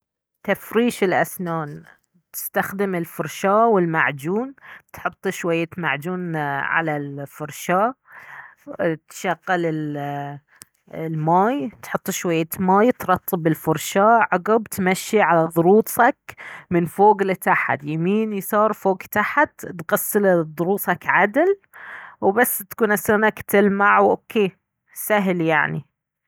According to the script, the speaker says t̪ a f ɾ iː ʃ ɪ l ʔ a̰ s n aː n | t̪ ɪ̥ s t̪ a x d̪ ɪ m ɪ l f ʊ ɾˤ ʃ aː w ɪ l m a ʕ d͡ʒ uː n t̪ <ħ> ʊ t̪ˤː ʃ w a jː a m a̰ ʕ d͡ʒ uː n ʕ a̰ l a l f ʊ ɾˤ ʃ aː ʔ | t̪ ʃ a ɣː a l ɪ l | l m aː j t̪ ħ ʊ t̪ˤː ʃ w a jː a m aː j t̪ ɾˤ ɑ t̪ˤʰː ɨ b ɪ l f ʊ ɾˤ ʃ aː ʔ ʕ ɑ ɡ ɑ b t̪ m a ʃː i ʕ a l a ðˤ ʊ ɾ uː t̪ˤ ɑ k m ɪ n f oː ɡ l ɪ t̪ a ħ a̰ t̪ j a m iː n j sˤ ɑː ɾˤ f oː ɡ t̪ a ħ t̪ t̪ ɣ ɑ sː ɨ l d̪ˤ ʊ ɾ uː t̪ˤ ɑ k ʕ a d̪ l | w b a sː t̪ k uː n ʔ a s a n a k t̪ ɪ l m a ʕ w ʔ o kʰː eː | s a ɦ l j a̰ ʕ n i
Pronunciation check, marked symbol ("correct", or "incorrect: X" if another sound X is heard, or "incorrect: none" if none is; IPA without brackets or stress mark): correct